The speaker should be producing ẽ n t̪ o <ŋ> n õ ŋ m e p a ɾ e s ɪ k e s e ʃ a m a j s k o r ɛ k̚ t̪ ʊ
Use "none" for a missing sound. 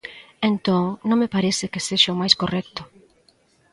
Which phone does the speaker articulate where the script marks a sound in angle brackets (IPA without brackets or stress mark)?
ŋ